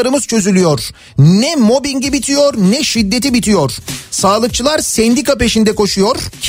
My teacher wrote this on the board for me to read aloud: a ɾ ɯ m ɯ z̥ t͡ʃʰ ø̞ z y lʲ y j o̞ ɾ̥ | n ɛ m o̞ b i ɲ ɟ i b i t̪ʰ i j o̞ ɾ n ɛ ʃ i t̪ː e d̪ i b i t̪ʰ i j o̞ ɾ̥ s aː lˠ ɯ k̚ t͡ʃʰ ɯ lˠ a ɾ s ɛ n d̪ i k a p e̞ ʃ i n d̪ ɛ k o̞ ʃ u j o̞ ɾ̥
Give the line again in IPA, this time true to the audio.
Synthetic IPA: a ɾ ɯ m ɯ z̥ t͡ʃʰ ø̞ z y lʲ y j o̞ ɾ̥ | n ɛ m o̞ b i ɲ ɟ i b i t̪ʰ i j o̞ ɾ n ɛ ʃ i d̪ː e t̪ i b i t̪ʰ i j o̞ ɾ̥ s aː lˠ ɯ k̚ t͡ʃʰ ɯ lˠ a ɾ s ɛ n d̪ i k a p e̞ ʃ i n d̪ ɛ k o̞ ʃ u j o̞ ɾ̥